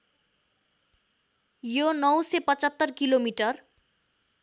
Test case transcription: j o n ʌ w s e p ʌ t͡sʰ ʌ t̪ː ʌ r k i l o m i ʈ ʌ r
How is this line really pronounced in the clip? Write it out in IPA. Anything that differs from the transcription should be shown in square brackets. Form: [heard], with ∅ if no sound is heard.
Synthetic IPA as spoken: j o n ʌ w s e p ʌ [t͡s] ʌ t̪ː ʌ r k i l o m i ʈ ʌ r